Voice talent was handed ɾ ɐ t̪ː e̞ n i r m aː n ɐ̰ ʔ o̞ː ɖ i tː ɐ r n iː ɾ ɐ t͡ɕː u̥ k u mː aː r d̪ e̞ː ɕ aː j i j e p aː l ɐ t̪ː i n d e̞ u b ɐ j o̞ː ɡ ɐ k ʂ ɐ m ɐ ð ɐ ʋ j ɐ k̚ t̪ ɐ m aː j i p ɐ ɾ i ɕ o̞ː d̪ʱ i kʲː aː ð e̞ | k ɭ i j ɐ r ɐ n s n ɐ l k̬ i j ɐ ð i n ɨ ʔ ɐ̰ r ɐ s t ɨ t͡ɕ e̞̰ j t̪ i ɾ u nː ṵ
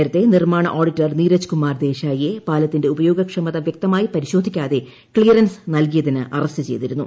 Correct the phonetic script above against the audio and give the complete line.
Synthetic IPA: ɾ ɐ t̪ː e̞ n i r m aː ɳ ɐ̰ ʔ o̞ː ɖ i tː ɐ r n iː ɾ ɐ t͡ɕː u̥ k u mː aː r d̪ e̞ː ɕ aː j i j e p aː l ɐ t̪ː i n d e̞ u b ɐ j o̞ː ɡ ɐ k ʂ ɐ m ɐ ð ɐ ʋ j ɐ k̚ t̪ ɐ m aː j i p ɐ ɾ i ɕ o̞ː d̪ʱ i kʲː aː ð e̞ | k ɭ i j ɐ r ɐ n s n ɐ l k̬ i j ɐ ð i n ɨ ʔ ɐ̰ r ɐ s t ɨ t͡ɕ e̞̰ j t̪ i ɾ u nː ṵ